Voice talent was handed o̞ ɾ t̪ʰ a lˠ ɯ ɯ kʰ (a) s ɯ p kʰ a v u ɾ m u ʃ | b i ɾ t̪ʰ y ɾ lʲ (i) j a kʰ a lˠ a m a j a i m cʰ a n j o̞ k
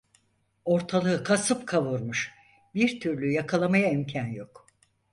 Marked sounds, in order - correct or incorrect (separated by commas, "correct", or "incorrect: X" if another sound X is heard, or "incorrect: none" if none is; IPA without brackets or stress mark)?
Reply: correct, incorrect: y